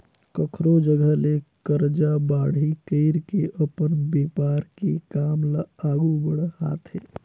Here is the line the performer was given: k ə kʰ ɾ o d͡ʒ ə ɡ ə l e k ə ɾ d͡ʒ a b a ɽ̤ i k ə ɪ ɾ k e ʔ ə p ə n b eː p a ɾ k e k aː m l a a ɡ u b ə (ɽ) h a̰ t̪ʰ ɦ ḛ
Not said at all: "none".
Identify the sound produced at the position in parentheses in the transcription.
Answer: ɽ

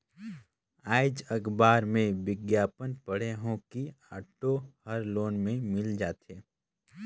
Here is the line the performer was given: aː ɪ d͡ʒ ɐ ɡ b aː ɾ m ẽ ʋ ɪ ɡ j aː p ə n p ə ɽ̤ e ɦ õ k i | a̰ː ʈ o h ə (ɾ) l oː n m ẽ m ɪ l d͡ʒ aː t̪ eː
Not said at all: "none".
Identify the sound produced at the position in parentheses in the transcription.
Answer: ɾ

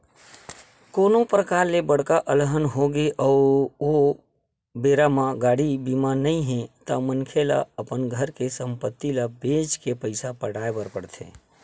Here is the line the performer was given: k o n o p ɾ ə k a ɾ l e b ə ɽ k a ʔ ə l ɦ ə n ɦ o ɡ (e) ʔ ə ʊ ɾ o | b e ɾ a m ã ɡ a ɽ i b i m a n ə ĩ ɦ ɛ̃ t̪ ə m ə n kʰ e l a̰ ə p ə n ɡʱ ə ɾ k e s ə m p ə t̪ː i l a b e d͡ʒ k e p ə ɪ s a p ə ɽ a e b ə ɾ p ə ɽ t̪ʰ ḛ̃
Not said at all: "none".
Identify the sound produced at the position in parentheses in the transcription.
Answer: e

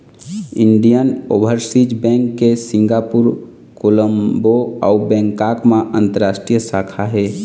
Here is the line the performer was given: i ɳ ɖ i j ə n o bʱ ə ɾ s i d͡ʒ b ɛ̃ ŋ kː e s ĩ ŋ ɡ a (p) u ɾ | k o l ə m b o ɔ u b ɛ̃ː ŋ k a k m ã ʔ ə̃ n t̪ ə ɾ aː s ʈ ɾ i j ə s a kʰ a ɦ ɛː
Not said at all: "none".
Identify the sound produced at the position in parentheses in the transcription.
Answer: p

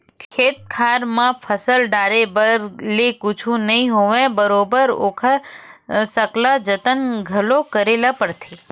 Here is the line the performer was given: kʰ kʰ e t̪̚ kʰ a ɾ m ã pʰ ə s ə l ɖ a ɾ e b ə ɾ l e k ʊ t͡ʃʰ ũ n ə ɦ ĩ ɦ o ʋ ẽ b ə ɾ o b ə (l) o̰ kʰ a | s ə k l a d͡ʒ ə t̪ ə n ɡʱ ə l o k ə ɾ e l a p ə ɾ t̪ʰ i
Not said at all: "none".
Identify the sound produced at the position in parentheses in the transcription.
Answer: ɾ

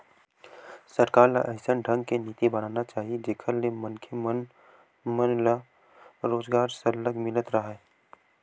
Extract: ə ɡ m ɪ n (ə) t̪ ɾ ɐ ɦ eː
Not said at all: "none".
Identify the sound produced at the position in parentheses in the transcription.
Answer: ə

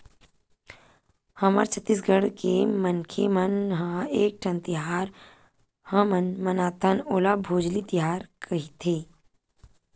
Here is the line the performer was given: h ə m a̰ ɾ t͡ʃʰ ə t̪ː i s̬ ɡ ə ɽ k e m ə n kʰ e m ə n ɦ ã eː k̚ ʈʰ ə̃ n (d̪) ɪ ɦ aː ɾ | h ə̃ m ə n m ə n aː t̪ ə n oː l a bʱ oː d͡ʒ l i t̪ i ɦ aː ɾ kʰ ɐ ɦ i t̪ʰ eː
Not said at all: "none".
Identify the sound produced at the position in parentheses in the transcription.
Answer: t̪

